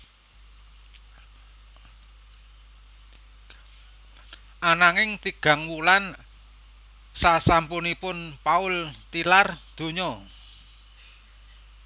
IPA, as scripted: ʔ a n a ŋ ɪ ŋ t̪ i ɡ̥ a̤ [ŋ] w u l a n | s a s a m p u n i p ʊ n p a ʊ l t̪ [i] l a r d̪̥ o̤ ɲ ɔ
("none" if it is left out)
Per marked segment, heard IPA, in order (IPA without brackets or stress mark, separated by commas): ŋ, i